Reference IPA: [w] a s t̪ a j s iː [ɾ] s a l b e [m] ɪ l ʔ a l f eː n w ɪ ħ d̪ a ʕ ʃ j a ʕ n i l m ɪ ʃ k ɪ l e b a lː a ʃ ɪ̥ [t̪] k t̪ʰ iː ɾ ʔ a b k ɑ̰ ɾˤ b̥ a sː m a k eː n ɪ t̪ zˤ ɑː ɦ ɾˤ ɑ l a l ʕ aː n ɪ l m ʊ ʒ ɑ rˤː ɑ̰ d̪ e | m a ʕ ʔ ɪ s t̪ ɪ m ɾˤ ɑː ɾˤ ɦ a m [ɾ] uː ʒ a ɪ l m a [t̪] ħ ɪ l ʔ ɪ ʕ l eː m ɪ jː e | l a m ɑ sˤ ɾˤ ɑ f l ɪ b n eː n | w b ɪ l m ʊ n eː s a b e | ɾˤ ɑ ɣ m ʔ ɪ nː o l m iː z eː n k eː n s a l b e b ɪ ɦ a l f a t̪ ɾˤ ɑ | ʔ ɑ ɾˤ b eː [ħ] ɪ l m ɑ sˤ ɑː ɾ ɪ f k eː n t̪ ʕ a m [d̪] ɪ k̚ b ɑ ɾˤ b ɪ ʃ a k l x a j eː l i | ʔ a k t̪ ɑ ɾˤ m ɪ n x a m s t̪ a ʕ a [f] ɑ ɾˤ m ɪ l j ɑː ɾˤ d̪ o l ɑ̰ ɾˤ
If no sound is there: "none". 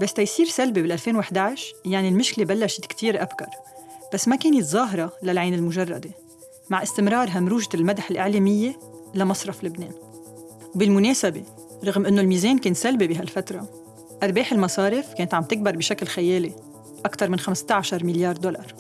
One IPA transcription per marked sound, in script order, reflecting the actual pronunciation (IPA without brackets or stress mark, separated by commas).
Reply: b, ɾ, b, t̪, ɾ, d̪, ħ, t̪, ʃ